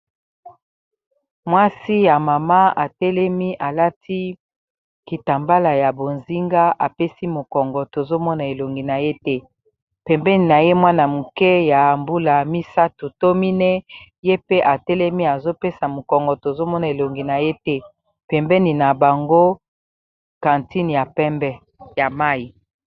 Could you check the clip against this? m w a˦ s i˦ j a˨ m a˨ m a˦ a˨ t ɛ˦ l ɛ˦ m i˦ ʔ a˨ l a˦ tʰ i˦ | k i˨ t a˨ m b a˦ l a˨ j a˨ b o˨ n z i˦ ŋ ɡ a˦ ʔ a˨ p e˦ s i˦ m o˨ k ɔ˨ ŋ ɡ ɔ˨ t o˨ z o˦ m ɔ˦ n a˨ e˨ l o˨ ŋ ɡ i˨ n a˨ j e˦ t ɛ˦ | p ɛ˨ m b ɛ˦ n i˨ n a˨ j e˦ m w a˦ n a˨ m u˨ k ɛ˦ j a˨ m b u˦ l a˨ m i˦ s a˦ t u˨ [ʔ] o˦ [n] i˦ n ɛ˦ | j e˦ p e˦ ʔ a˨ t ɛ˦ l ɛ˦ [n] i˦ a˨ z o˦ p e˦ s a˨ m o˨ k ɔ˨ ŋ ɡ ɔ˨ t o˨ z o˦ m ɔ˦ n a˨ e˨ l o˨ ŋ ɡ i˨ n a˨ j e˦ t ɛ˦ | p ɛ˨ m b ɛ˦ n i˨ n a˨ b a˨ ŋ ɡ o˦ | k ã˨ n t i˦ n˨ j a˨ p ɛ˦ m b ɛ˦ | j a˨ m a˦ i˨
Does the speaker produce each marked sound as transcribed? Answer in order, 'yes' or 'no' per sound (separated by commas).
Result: no, no, no